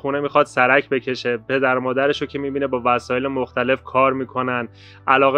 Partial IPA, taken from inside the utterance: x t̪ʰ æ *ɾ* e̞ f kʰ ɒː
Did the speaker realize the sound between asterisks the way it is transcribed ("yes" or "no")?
no